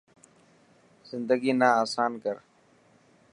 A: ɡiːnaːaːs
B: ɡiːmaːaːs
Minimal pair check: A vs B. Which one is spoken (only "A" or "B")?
A